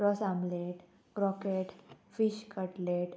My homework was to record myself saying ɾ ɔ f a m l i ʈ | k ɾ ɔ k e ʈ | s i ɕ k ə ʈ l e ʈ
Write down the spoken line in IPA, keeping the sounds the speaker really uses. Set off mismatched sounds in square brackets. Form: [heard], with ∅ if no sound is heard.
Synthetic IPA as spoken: ɾ ɔ [s] a m l [e] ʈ | k ɾ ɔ k e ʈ | [f] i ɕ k ə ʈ l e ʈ